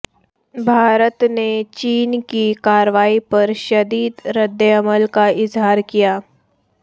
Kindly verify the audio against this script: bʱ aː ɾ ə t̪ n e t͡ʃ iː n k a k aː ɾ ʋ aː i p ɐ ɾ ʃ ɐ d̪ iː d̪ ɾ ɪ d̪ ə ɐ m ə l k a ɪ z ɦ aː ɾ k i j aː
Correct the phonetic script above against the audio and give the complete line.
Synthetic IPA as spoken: bʱ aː ɾ ə t̪ n e t͡ʃ iː n k i k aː ɾ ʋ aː i p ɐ ɾ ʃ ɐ d̪ iː d̪ ɾ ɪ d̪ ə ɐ m ə l k a ɪ z ɦ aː ɾ k i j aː